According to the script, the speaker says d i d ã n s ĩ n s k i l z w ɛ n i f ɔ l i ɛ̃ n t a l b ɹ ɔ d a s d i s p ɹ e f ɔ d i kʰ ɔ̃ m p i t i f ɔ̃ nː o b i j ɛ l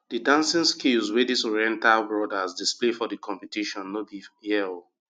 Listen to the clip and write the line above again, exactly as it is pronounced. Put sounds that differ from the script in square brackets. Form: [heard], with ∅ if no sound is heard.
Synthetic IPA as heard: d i d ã n s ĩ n s k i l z w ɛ [d] i [s] ɔ [ɹ] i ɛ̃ n t a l b ɹ ɔ d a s d i s p [l] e f ɔ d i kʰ ɔ̃ m p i t i [ʃ] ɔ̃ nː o b i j ɛ l